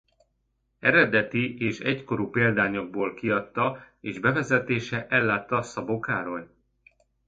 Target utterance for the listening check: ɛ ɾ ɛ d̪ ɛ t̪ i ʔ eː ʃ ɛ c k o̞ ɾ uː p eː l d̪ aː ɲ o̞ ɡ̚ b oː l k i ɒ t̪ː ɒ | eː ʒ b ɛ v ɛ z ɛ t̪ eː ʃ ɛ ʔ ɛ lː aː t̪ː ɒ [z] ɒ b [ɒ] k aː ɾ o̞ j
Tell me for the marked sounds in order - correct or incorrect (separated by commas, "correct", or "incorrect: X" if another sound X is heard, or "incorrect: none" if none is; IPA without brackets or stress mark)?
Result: incorrect: s, incorrect: o